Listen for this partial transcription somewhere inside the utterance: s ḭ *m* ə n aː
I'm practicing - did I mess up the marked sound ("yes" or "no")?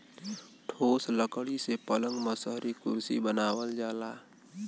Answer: yes